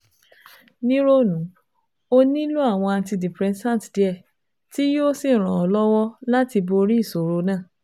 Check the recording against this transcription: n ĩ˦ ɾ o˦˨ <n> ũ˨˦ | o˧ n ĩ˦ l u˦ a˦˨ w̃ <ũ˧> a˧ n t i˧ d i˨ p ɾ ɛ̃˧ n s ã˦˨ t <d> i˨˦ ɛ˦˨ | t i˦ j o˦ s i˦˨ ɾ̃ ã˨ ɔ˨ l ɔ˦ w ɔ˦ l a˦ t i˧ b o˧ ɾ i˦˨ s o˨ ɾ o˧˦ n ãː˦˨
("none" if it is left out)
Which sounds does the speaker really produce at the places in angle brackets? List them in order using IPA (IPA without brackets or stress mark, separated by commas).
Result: n, ɔ̃˧, d